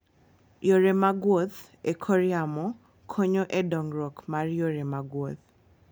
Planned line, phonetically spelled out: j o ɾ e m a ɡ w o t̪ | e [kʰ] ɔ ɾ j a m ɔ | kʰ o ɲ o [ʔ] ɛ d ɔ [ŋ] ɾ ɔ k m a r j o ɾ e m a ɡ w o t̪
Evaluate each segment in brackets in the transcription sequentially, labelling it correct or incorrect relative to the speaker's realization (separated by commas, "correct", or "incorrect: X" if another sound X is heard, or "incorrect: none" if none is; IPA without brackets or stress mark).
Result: correct, correct, correct